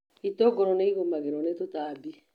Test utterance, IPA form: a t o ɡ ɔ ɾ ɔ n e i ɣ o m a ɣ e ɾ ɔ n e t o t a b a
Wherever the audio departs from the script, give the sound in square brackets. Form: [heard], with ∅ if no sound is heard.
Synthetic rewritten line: [i] t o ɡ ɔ ɾ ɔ n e i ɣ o m a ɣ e ɾ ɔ n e t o t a b [i]